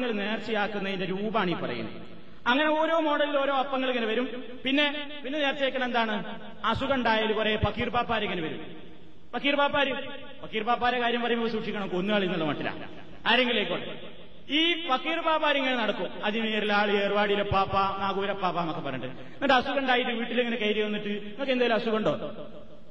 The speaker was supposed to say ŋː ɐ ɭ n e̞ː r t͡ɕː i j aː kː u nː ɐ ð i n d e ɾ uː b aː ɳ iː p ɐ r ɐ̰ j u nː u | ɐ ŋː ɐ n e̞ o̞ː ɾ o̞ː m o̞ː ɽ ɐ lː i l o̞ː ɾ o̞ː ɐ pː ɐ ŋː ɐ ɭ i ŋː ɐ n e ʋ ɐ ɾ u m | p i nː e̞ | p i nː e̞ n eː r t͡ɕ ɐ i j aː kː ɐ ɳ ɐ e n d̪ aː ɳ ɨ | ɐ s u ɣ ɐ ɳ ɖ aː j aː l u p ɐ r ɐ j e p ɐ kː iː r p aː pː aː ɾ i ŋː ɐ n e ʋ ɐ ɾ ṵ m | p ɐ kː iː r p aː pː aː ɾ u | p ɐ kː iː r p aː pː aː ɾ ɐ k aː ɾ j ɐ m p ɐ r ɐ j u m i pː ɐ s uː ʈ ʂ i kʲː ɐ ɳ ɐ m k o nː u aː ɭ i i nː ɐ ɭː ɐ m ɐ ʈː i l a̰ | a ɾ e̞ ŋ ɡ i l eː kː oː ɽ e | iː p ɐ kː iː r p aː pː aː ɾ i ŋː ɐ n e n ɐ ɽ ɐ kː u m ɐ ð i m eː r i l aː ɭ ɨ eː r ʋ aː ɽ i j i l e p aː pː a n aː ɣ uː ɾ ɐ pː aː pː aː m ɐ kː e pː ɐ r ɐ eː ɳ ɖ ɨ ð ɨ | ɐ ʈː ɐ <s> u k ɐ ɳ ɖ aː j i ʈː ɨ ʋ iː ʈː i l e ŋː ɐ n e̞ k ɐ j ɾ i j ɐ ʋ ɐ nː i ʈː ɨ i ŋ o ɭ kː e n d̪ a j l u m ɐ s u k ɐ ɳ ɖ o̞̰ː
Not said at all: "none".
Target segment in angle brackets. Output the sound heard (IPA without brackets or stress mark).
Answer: s